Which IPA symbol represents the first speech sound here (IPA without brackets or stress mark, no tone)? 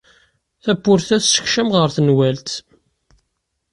θ